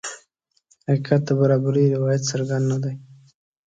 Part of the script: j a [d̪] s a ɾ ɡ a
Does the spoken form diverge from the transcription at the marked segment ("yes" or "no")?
yes